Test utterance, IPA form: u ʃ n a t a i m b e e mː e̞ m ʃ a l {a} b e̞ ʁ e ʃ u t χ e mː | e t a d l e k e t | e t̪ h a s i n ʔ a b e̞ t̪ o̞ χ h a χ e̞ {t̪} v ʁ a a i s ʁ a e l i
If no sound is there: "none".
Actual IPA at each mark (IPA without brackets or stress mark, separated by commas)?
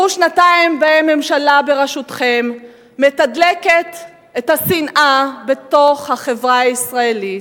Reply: a, none